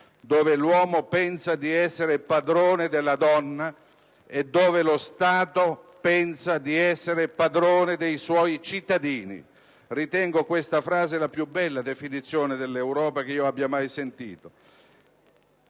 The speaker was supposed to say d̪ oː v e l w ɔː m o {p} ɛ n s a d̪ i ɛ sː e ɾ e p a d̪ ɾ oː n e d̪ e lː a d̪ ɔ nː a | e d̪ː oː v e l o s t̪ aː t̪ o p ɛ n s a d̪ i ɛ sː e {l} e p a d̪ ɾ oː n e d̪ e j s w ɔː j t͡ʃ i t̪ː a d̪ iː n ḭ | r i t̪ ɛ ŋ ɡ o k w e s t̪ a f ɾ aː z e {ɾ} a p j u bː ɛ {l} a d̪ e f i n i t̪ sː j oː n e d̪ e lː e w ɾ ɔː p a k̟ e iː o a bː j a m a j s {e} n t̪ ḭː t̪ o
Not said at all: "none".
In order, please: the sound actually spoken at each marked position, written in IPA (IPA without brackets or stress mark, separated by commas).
p, ɾ, l, lː, e